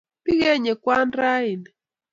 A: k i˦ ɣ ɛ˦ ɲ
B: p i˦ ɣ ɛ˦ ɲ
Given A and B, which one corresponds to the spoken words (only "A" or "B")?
B